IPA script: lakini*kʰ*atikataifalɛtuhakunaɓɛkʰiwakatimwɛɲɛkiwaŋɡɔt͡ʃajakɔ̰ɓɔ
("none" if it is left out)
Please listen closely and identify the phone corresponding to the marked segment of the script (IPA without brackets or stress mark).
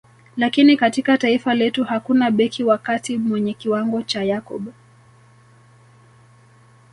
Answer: k